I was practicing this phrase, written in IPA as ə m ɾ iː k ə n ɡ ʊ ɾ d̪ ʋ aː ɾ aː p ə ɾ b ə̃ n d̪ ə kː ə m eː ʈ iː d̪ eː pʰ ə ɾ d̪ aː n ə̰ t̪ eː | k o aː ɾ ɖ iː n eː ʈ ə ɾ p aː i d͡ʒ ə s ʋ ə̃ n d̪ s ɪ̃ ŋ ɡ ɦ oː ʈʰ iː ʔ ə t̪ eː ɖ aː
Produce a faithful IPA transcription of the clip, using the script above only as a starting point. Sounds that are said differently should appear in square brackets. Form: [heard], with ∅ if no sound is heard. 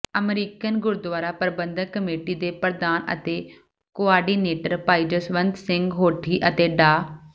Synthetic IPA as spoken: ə m ɾ iː k ə n ɡ ʊ ɾ d̪ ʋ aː ɾ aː p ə ɾ b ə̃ n d̪ ə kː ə m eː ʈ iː d̪ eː [p] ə ɾ d̪ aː n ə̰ t̪ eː | k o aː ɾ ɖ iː n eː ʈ ə ɾ p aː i d͡ʒ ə s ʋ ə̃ n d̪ s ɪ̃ ŋ ɡ ɦ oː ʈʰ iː ʔ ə t̪ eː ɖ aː